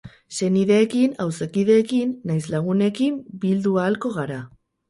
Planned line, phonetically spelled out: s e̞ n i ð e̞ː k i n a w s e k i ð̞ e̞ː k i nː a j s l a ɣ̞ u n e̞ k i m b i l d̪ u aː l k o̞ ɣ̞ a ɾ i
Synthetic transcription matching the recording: s e̞ n i ð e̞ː k i n a w s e k i ð̞ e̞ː k i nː a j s l a ɣ̞ u n e̞ k i m b i l d̪ u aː l k o̞ ɣ̞ a ɾ a